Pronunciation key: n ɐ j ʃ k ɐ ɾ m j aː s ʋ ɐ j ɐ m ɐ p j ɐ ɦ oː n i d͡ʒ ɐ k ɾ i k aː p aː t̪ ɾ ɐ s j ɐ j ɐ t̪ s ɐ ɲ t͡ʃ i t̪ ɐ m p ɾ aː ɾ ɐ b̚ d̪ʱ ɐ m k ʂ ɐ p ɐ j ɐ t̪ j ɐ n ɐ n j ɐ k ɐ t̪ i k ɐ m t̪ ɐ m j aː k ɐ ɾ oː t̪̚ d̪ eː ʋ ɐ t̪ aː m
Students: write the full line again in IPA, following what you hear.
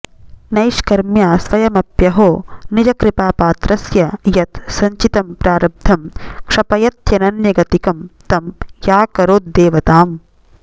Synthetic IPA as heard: n ɐ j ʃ k ɐ ɾ m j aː s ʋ ɐ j ɐ m ɐ p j ɐ ɦ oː n i d͡ʒ ɐ k ɾ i p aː p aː t̪ ɾ ɐ s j ɐ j ɐ t̪ s ɐ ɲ t͡ʃ i t̪ ɐ m p ɾ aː ɾ ɐ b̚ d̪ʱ ɐ m k ʂ ɐ p ɐ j ɐ t̪ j ɐ n ɐ n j ɐ ɡ ɐ t̪ i k ɐ m t̪ ɐ m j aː k ɐ ɾ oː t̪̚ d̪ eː ʋ ɐ t̪ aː m